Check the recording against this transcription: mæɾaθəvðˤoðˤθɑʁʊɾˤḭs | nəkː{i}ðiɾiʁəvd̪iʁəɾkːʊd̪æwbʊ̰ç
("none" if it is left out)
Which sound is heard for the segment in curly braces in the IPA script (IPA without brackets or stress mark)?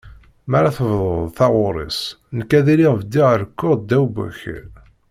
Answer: æ